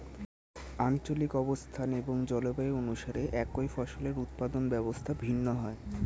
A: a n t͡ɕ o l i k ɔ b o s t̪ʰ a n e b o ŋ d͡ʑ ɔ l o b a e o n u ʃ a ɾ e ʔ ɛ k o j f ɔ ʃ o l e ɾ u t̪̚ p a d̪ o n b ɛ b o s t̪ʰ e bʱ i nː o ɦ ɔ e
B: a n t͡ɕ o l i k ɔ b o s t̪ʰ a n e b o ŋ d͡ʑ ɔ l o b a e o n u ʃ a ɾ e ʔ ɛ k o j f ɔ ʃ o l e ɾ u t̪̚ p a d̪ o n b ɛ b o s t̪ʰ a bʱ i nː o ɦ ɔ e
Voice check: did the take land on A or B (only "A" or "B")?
B